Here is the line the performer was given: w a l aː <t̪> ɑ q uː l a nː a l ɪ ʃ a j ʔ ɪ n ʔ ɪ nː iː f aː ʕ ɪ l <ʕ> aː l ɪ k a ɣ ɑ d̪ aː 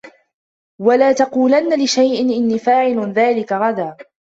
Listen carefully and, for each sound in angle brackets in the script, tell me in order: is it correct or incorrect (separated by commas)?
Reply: correct, incorrect